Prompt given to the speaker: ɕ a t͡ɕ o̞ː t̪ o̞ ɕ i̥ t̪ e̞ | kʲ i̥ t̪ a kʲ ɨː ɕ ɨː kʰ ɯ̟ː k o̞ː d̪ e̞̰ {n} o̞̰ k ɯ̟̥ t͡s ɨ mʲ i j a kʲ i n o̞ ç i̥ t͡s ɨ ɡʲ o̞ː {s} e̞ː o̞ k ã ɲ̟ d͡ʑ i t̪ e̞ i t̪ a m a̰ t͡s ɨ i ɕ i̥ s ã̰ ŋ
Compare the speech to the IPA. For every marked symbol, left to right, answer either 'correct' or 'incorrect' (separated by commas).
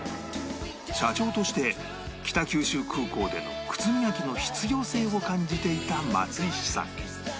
correct, correct